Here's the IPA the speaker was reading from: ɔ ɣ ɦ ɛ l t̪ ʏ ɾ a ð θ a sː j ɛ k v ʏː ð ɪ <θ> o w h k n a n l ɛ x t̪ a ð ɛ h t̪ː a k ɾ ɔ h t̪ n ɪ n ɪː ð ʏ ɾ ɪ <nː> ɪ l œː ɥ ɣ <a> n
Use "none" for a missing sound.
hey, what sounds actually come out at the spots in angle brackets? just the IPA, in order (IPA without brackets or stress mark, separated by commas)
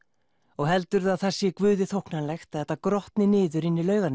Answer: θ, nː, a